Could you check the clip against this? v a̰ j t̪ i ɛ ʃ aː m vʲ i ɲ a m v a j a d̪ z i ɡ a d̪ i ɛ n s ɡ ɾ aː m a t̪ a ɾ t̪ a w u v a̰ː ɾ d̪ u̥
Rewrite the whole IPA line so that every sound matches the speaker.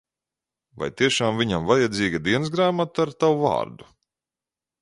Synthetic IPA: v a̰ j t̪ i ɛ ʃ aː m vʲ i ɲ a m v a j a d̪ z iː ɡ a d̪ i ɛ n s ɡ ɾ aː m a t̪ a ɾ t̪ a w u v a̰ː ɾ d̪ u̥

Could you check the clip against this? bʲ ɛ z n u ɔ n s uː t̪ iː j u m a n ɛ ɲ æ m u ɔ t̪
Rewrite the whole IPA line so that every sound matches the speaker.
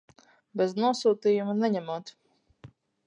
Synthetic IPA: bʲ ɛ z n u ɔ s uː t̪ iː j u m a n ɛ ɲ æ m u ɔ t̪

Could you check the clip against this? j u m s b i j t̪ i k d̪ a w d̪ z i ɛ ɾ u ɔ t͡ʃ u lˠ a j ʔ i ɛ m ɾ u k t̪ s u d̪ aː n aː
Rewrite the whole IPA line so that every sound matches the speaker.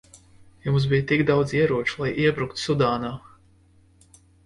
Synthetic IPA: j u m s b i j t̪ i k d̪ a w d̪ z i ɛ ɾ u ɔ t͡ʃ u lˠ a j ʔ i ɛ b ɾ u k t̪ s u d̪ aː n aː

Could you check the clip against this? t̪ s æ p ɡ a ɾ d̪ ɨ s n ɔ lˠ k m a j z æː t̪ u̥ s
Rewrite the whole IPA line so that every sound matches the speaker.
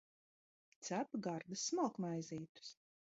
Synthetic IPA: t̪ s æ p ɡ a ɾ d̪ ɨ s m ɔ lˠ k m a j z iː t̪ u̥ s

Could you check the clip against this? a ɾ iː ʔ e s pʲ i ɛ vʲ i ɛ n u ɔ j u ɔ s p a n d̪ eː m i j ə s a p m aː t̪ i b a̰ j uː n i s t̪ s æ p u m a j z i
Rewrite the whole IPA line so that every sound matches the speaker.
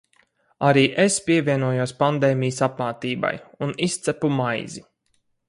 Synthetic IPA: a ɾ iː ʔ e s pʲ i ɛ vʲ i ɛ n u ɔ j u ɔ s p a n d̪ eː m i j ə s a p m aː t̪ iː b a̰ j u n i s t̪ s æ p u m a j z i

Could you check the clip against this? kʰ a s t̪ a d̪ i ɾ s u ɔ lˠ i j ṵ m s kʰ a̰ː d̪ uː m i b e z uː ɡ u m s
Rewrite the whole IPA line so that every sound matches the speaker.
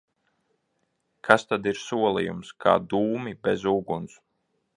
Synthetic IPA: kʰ a s t̪ a d̪ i ɾ s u ɔ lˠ i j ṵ m s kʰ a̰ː d̪ uː m i b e z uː ɡ u n s

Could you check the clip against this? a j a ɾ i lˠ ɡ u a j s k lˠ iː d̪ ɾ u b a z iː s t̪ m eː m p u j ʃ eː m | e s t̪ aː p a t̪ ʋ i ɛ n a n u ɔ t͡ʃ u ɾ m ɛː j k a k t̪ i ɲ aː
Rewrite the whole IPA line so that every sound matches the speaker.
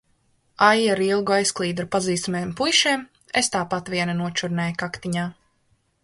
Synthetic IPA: a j a ɾ i lˠ ɡ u a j s k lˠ iː d̪ ɾ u p a z iː s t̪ m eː m p u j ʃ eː m | e s t̪ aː p a t̪ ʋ i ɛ n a n u ɔ t͡ʃ u ɾ n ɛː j k a k t̪ i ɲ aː

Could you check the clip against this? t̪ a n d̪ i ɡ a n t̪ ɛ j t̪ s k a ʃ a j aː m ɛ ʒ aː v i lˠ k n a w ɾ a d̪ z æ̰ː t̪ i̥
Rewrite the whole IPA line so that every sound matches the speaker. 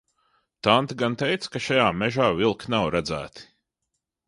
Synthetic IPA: t̪ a n t̪ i ɡ a n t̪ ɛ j t̪ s k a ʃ a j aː m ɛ ʒ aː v i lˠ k n a w ɾ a d̪ z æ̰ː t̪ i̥

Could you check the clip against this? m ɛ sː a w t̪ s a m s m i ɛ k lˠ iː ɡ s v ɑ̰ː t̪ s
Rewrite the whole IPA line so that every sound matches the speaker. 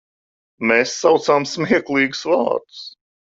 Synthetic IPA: m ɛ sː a w t̪ s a m s m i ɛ k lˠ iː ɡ s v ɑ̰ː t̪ s

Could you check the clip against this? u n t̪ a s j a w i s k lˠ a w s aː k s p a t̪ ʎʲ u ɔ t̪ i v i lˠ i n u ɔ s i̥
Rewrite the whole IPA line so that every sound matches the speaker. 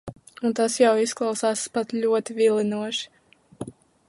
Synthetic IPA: u n t̪ a s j a w i s k lˠ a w s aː s p a t̪ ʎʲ u ɔ t̪ i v i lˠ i n u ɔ ʃ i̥

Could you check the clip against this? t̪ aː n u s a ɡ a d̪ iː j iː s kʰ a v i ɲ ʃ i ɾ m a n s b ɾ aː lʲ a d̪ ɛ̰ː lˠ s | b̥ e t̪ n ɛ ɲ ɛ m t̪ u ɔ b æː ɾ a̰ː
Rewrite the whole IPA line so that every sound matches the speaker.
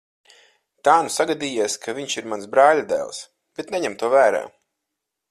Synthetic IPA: t̪ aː n u s a ɡ a d̪ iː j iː s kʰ a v i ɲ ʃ i ɾ m a n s b ɾ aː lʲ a d̪ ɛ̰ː lˠ s | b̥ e t̪ n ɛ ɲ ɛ m t̪ u ɔ v æː ɾ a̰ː

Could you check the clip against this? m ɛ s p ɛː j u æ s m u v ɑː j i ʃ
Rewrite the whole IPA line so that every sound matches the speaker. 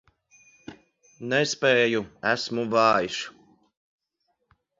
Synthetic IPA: n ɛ s p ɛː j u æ s m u v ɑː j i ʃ

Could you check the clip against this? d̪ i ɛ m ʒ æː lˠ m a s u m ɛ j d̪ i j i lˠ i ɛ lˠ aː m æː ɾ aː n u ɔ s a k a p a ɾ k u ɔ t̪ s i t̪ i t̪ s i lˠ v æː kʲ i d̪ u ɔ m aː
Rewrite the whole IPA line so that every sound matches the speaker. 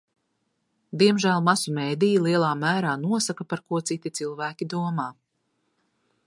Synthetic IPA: d̪ i ɛ m ʒ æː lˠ m a s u m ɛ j d̪ i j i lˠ i ɛ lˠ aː m æː ɾ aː n u ɔ s a k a p a ɾ k u ɔ t̪ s i t̪ i t̪ s i lˠ v æː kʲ i d̪ u ɔ m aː

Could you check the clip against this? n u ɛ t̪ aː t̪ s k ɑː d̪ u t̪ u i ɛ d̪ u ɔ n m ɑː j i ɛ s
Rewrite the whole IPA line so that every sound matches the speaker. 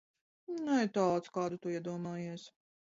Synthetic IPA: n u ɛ t̪ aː t̪ s k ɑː d̪ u t̪ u i ɛ d̪ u ɔ m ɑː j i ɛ s

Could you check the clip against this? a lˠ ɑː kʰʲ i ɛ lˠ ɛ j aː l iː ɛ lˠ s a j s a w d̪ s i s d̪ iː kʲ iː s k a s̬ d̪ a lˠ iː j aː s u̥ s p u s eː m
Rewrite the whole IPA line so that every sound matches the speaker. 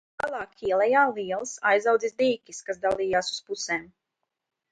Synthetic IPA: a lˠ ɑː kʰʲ i ɛ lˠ ɛ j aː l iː ɛ lˠ s a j z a w d̪ z i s d̪ iː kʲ i s k a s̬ d̪ a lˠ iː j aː s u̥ s p u s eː m

